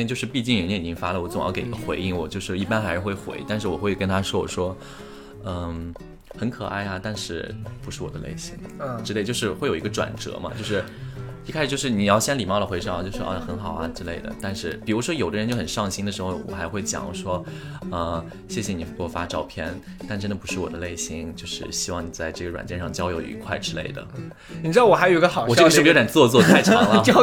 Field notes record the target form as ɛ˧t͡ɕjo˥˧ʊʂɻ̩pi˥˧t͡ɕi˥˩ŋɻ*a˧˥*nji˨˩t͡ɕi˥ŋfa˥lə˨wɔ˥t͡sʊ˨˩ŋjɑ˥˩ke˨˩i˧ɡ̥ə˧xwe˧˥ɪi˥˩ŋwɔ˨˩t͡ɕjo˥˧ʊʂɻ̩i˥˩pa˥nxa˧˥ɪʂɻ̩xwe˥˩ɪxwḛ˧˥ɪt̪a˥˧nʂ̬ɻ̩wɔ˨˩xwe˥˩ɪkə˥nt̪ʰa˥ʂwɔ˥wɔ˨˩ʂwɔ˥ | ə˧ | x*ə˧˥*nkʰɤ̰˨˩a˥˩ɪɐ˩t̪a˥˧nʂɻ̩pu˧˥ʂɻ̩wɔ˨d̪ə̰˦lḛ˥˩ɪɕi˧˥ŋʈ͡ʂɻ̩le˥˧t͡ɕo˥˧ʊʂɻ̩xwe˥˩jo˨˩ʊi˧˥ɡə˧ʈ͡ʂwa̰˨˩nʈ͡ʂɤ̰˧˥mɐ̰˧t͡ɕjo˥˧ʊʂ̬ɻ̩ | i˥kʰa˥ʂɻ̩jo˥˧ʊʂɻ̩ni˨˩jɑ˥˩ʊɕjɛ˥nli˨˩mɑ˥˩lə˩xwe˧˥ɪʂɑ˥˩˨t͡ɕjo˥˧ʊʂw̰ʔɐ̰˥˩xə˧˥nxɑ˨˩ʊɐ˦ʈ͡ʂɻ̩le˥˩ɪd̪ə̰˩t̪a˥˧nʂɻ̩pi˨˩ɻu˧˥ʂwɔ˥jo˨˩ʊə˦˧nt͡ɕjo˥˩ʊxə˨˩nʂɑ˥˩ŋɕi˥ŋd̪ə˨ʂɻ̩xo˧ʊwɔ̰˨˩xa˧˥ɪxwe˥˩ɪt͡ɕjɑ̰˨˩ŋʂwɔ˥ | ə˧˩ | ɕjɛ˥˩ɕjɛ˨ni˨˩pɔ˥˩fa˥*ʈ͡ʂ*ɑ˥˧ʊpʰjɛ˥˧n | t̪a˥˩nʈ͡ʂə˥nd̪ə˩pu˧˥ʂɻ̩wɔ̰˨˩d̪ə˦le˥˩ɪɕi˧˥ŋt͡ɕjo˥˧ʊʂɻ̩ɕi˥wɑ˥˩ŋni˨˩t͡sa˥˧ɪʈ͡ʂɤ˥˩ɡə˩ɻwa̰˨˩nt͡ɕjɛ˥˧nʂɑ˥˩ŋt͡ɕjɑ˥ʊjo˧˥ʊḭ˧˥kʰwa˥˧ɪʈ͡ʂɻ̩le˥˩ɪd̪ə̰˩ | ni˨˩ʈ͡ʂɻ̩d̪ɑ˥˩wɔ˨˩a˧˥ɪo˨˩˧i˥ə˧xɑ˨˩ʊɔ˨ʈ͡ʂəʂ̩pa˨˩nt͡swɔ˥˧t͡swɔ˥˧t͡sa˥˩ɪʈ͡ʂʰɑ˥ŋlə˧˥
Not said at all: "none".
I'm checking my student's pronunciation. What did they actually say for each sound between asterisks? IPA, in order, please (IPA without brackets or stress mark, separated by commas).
ə˧˥, ə˧˥, ʈ͡ʂ